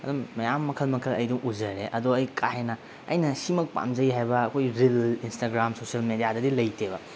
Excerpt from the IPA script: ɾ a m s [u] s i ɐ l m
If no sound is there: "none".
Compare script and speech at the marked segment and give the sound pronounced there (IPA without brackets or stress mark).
o